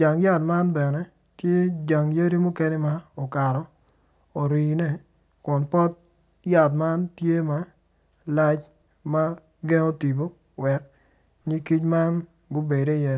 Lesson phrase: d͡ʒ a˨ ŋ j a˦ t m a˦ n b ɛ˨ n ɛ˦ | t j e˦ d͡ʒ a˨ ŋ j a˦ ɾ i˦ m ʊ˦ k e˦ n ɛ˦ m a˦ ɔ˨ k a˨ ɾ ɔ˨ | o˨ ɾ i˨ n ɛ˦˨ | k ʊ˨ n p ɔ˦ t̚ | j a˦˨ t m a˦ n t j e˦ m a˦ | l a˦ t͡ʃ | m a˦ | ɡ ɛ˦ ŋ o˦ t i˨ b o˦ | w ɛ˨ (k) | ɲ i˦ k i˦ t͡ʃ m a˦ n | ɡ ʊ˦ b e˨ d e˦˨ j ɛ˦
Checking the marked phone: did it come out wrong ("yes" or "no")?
no